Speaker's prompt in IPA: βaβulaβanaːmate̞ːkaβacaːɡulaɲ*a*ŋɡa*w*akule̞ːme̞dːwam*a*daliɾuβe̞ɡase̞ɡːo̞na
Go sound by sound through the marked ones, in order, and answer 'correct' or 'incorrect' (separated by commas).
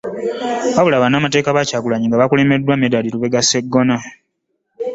incorrect, incorrect, incorrect